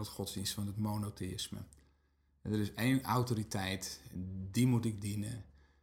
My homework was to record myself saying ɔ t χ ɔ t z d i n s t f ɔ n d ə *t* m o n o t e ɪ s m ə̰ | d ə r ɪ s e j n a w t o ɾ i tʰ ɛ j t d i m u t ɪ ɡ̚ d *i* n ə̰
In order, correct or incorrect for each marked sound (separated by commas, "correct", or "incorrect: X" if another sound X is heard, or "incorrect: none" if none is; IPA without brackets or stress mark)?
correct, correct